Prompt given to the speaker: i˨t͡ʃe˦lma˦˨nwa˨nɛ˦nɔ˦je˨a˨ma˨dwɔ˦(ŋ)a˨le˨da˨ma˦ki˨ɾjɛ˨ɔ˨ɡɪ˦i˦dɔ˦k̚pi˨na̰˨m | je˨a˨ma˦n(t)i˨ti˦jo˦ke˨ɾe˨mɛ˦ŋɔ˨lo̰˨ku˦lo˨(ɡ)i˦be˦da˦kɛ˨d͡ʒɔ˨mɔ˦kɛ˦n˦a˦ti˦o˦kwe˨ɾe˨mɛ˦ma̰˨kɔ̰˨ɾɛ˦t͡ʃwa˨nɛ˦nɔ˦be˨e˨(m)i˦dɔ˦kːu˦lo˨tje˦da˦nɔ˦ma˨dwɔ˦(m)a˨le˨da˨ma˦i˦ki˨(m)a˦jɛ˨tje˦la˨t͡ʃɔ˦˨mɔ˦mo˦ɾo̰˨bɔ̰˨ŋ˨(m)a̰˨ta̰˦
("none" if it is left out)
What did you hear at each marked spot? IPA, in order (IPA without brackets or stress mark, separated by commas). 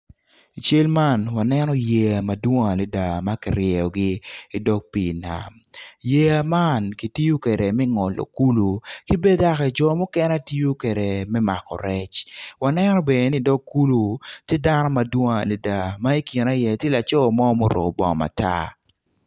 ŋ, k, k, n, ŋ, n, m